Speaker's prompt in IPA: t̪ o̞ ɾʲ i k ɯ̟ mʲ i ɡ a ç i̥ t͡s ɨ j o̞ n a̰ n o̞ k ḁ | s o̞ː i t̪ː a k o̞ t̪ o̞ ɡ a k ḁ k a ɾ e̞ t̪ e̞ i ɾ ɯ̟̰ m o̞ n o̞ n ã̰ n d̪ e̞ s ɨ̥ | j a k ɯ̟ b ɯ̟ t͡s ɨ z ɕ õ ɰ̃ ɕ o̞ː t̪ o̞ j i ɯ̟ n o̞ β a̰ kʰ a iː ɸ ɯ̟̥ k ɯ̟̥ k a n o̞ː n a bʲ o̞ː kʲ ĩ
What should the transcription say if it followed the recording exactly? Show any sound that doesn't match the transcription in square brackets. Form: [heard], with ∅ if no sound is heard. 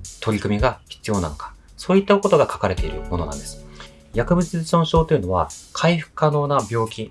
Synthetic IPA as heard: t̪ o̞ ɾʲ i k ɯ̟ mʲ i ɡ a ç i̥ t͡s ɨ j o̞ n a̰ n o̞ k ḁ | s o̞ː i t̪ː a k o̞ t̪ o̞ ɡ a k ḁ k a ɾ e̞ t̪ e̞ i ɾ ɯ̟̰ m o̞ n o̞ n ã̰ n d̪ e̞ s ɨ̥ | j a k ɯ̟ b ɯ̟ t͡s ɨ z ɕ õ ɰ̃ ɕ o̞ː t̪ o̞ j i ɯ̟ n o̞ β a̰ kʰ a [i] ɸ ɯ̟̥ k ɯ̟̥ k a n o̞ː n a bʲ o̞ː kʲ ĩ